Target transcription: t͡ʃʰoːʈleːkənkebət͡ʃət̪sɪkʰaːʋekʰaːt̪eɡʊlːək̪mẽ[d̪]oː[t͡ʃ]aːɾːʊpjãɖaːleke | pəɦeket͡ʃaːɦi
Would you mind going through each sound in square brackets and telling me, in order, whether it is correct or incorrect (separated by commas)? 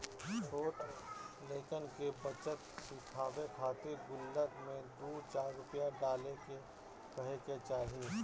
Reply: correct, correct